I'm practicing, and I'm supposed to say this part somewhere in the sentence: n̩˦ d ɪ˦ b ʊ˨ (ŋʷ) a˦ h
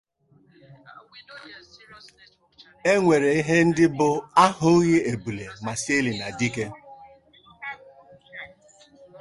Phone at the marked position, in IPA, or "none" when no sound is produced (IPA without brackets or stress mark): none